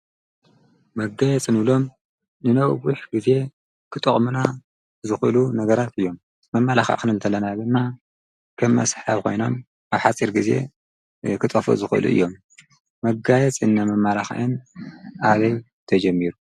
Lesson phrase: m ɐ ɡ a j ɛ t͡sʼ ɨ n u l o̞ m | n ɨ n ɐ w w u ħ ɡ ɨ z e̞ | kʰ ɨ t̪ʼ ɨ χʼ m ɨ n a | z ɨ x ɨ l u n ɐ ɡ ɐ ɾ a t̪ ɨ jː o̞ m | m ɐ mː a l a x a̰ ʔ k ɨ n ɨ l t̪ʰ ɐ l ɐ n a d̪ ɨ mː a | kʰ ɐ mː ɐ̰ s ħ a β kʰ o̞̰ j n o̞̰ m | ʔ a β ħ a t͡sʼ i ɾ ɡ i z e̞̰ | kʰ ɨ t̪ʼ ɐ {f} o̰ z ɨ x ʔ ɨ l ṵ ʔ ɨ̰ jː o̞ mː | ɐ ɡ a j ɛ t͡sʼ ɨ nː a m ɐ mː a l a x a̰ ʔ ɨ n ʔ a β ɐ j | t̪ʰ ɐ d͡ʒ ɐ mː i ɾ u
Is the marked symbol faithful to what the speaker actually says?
yes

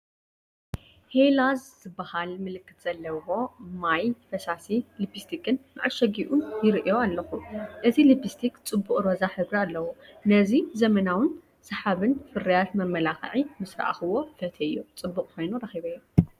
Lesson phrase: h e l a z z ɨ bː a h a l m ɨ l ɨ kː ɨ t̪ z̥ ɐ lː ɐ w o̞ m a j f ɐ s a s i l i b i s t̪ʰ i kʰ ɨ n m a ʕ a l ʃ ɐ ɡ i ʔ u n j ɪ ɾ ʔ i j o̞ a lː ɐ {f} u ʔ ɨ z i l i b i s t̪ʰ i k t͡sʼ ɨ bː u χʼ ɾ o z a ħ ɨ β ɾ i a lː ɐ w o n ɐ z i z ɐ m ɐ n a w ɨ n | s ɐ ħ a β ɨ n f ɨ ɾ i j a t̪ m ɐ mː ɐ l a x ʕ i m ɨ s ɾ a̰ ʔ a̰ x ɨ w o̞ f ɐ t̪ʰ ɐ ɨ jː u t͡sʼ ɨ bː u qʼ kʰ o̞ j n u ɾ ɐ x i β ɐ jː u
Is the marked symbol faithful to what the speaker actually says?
no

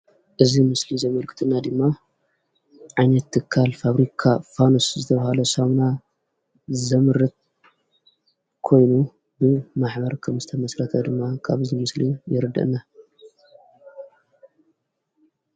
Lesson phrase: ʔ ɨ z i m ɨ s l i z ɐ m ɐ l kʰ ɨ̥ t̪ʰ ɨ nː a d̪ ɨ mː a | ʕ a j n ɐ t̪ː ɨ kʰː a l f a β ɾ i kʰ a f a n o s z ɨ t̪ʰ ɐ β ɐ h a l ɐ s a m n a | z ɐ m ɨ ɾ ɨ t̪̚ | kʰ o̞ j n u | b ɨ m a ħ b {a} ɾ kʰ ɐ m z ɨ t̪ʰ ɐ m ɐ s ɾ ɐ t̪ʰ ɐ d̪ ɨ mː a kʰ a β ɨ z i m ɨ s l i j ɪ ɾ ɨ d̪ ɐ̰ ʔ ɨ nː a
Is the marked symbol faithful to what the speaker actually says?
no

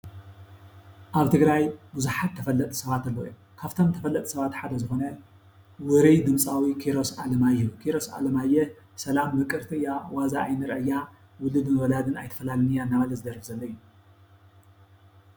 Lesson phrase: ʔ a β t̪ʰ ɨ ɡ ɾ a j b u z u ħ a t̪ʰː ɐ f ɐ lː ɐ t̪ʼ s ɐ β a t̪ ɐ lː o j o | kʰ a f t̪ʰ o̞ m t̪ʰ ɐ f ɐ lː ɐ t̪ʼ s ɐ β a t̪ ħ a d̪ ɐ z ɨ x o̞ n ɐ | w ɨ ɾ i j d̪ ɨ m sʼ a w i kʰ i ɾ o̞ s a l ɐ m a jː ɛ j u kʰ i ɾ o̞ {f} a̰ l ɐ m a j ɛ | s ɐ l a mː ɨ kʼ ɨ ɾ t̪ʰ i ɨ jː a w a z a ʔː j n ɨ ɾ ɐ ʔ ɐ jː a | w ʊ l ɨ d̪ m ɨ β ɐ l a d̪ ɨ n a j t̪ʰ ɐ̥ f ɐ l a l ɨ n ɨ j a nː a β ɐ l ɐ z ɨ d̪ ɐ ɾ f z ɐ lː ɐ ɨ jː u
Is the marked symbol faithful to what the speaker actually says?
no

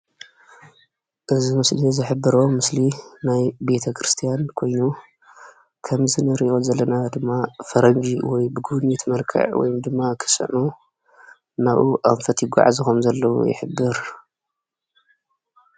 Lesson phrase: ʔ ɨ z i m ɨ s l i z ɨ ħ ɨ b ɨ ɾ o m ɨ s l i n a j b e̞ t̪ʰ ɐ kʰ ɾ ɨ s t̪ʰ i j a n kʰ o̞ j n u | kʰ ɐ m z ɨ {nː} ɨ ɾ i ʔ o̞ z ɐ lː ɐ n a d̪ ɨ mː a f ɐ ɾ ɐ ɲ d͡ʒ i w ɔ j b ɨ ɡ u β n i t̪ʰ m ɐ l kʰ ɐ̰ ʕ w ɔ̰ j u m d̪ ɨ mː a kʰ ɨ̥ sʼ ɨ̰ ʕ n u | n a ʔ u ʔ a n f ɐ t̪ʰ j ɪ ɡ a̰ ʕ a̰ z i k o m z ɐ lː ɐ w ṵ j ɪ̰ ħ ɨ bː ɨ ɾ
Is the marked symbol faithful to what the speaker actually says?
no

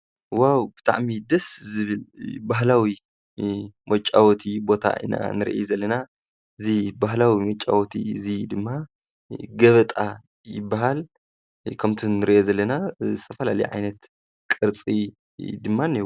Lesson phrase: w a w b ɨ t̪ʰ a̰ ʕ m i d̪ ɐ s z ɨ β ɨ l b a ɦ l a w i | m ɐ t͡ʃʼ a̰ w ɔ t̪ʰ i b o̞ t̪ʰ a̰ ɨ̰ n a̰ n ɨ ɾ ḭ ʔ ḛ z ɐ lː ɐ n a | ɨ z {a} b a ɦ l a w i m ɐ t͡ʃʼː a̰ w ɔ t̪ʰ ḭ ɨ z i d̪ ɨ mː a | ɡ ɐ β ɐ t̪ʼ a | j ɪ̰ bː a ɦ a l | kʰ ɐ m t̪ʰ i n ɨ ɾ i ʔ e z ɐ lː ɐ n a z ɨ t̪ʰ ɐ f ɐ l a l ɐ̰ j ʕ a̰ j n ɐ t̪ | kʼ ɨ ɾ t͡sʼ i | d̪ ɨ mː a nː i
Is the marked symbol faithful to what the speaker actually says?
no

